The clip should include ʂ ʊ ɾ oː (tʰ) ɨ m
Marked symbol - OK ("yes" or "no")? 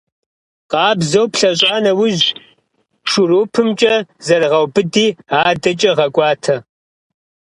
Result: no